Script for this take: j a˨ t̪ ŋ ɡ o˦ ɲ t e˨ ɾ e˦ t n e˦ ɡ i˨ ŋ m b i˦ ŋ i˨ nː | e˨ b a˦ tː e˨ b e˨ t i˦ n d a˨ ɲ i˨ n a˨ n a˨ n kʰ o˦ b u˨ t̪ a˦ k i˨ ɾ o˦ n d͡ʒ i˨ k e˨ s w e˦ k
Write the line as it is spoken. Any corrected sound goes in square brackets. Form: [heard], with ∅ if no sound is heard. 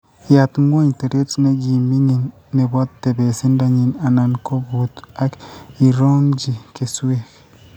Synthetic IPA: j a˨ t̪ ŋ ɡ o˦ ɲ t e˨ ɾ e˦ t n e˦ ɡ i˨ [∅] m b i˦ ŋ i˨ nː | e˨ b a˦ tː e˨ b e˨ [s] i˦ n d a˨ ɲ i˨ n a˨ n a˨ n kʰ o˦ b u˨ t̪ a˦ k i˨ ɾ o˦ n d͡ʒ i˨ k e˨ s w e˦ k

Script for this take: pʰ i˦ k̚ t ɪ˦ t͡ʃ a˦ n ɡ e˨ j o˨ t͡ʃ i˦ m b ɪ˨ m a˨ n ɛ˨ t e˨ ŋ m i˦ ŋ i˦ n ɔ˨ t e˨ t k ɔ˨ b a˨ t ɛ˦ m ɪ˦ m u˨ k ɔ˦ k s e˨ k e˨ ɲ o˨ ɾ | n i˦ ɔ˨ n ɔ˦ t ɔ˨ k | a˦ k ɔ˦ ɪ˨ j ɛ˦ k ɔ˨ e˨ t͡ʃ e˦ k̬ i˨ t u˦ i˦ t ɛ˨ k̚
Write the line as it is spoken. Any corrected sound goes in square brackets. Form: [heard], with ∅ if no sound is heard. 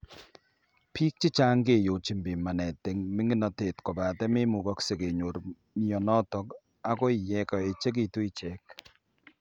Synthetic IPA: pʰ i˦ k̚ [t͡ʃ] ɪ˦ t͡ʃ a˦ [ŋ] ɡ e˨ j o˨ t͡ʃ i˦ m b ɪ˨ m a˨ n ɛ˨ t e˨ ŋ m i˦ ŋ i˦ n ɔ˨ t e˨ t k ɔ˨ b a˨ t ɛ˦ m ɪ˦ m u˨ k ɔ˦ k s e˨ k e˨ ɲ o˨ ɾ | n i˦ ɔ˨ n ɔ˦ t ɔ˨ k | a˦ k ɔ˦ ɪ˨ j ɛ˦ k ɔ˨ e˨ t͡ʃ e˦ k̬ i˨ t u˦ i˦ [t͡ʃ] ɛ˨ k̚

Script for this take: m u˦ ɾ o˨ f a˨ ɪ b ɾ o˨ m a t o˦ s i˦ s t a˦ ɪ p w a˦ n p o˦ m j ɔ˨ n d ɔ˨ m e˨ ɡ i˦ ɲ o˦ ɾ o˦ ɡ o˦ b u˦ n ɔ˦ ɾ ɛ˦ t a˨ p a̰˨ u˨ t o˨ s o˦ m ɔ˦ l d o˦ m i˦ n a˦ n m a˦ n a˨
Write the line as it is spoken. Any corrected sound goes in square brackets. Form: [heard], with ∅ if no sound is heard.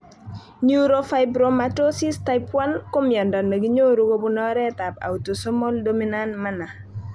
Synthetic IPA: [ɲ] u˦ ɾ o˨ f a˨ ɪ b ɾ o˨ m a t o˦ s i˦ s t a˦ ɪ p w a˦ n [k] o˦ m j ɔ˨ n d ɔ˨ [n] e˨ ɡ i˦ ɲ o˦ ɾ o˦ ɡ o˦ b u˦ n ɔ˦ ɾ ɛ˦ t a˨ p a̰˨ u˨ t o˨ s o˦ m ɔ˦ l d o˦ m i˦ n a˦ n m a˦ n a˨

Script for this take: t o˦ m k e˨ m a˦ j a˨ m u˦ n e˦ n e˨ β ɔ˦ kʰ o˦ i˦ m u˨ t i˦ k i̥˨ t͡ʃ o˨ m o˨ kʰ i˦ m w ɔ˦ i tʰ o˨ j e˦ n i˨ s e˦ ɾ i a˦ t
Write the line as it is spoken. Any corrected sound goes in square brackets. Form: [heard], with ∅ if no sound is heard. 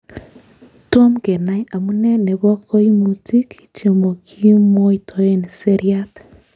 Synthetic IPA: t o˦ m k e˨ [n] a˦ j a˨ m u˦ n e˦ n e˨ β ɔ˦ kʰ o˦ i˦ m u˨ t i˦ k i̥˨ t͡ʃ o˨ m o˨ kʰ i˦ m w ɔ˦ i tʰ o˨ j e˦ n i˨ s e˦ ɾ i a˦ t

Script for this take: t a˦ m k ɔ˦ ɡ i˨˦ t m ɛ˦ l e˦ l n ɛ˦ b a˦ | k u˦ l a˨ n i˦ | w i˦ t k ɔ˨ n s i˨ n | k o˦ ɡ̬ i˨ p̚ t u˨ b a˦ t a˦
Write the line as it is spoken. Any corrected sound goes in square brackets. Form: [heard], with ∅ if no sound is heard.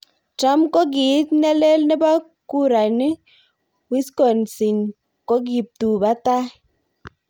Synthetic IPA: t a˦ m k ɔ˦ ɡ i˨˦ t [n] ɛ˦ l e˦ l n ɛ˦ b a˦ | k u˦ [ɾ] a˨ n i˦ | w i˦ [s] k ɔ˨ n s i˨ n | k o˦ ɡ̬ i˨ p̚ t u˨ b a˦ t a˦

